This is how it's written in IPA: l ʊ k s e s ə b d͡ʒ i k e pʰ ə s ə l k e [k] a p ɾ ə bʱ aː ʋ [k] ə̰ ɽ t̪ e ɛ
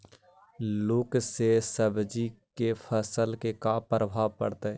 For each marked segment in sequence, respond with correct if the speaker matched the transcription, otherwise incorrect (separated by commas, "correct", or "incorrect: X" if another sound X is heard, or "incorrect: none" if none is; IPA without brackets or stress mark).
correct, incorrect: p